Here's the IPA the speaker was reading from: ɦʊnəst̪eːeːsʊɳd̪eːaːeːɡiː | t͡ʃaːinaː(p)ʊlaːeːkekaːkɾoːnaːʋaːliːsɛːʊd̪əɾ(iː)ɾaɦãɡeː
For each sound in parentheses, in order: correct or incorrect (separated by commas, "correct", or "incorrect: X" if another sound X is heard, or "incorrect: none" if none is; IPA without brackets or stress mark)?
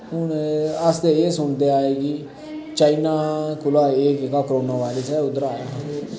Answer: incorrect: k, incorrect: aː